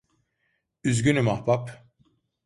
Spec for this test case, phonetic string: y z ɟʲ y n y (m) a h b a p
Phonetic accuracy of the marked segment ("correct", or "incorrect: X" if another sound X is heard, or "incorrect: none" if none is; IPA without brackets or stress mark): correct